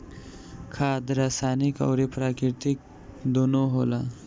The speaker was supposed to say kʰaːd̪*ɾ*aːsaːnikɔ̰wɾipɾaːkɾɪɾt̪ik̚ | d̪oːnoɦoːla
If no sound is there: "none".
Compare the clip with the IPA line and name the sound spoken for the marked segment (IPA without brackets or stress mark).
ɾ